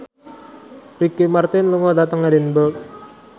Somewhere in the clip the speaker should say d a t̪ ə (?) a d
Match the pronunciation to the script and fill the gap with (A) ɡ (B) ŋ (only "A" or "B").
B